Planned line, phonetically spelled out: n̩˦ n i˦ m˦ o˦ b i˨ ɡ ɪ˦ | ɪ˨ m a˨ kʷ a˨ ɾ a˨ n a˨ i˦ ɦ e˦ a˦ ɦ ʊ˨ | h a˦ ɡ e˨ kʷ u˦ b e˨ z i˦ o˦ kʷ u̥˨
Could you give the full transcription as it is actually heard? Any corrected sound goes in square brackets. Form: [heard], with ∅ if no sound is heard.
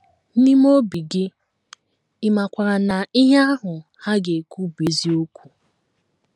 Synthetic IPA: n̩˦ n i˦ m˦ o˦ b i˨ ɡ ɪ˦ | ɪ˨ m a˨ kʷ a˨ ɾ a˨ n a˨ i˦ ɦ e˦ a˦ ɦ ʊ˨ | h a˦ ɡ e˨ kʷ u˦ b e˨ z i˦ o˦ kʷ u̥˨

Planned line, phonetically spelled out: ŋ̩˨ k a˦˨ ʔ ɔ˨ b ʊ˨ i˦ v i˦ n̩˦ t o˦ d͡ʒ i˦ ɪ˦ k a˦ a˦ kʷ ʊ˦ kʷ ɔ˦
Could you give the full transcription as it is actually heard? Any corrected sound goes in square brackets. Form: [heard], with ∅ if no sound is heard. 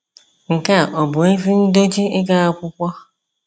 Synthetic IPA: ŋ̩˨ k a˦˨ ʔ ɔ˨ b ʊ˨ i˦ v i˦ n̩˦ [d] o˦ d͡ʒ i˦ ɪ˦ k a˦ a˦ kʷ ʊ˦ kʷ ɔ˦

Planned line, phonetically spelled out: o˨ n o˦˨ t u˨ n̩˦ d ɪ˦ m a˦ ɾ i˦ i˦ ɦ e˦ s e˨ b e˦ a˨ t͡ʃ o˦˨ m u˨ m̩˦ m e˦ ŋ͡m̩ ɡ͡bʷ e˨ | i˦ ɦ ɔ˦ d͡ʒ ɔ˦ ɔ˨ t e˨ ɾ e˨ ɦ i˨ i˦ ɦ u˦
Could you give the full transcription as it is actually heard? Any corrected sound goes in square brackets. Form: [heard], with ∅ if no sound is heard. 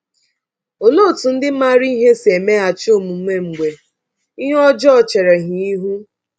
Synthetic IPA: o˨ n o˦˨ t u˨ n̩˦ d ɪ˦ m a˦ ɾ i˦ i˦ ɦ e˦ s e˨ [m] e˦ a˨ t͡ʃ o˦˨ m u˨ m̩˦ m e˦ ŋ͡m̩ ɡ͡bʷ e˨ | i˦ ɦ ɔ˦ d͡ʒ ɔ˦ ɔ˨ [t͡ʃ] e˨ ɾ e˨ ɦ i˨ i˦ ɦ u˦

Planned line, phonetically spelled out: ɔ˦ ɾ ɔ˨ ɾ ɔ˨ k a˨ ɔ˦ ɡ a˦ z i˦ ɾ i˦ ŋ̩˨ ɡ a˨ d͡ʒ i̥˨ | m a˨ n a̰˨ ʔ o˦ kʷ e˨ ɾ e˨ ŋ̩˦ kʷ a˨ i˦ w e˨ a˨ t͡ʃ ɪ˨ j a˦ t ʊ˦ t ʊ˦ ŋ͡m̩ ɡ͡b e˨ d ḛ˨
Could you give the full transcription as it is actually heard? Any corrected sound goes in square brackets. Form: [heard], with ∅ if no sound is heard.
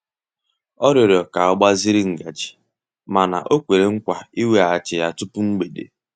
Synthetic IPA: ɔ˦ ɾ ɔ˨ ɾ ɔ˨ k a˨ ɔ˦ [ɡ͡b] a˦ z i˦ ɾ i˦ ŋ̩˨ ɡ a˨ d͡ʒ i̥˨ | m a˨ n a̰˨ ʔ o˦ kʷ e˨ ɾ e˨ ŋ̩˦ kʷ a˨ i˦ w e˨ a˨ t͡ʃ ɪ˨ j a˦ t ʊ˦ [p] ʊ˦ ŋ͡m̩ ɡ͡b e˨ d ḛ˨

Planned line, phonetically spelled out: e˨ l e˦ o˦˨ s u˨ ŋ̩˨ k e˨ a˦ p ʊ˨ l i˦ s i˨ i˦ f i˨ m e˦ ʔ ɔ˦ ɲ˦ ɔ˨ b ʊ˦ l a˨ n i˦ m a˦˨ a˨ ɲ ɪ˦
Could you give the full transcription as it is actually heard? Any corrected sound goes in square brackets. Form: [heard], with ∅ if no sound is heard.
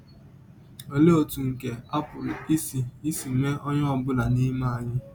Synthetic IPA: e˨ l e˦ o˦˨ [t] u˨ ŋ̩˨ k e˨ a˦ p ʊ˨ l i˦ s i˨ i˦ [s] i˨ m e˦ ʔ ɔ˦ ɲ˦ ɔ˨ b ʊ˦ l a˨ n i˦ m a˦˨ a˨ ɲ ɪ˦

